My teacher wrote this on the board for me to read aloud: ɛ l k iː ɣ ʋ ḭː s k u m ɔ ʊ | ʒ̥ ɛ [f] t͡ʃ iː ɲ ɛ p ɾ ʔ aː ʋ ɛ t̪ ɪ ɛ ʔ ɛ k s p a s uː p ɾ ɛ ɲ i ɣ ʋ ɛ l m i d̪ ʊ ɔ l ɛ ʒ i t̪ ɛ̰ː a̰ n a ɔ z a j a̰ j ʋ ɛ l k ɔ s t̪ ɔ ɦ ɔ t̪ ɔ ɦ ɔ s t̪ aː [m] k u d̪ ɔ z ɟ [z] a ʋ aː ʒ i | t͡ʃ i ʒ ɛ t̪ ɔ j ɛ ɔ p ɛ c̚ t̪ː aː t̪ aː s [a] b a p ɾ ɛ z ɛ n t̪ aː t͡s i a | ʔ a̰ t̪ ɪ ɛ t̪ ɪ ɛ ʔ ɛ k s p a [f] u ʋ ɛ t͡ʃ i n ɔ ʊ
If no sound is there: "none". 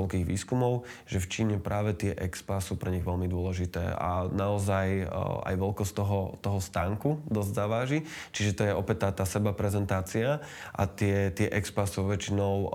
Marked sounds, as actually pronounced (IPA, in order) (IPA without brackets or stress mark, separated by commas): f, ŋ, z, ɛ, s